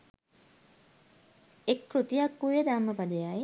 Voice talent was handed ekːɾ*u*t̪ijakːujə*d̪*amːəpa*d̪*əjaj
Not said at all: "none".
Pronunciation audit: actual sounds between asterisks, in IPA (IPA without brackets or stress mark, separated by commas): u, d̪, d̪